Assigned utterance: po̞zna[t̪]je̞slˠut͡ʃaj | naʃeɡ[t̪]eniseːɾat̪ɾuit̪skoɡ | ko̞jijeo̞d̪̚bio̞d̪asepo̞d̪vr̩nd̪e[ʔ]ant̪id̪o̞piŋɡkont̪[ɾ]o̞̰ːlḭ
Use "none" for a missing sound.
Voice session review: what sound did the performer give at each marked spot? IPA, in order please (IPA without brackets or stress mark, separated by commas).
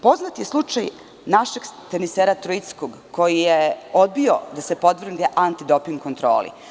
t̪, t̪, ʔ, ɾ